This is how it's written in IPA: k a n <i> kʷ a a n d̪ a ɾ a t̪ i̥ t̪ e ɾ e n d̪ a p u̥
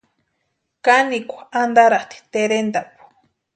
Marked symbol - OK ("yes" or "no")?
yes